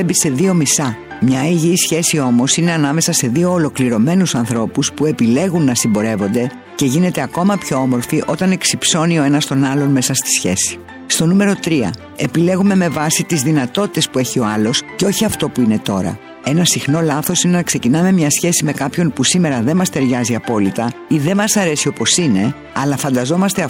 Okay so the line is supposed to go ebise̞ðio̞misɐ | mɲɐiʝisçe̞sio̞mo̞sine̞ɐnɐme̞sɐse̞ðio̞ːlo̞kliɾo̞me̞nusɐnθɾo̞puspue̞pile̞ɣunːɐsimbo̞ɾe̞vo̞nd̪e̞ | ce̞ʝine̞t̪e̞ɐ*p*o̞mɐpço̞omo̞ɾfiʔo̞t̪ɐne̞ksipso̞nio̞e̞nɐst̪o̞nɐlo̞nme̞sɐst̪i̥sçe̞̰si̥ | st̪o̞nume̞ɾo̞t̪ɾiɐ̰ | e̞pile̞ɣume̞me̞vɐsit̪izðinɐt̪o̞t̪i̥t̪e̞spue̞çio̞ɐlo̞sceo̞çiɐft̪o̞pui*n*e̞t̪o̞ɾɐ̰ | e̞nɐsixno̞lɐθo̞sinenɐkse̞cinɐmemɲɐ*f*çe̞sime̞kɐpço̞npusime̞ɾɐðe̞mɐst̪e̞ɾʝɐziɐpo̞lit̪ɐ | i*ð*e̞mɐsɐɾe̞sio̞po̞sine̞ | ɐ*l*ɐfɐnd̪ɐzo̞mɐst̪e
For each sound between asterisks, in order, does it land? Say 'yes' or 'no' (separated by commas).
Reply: no, yes, no, yes, yes